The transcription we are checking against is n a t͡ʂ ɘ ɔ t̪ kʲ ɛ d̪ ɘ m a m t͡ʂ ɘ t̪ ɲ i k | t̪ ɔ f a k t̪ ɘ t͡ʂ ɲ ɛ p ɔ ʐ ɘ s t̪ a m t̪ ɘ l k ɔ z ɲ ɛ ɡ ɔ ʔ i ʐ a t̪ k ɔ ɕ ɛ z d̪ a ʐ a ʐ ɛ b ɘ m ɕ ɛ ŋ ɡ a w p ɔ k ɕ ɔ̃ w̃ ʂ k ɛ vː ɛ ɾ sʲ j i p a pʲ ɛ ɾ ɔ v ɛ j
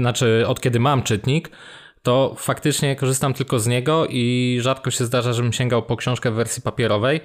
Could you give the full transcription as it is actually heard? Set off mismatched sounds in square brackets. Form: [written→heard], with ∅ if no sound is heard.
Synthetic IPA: n a t͡ʂ ɘ ɔ t̪ kʲ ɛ d̪ ɘ m a m t͡ʂ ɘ t̪ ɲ i k | t̪ ɔ f a k t̪ ɘ t͡ʂ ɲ ɛ [p→k] ɔ ʐ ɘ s t̪ a m t̪ ɘ l k ɔ z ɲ ɛ ɡ ɔ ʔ i ʐ a t̪ k ɔ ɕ ɛ z d̪ a ʐ a ʐ ɛ b ɘ m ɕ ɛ ŋ ɡ a w p ɔ k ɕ ɔ̃ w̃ ʂ k ɛ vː ɛ ɾ sʲ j i p a pʲ ɛ ɾ ɔ v ɛ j